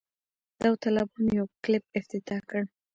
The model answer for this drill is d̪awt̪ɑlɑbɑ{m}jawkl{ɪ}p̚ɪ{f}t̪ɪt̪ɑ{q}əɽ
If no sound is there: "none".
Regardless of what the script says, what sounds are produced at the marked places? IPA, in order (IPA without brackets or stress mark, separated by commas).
n, ɪ, f, k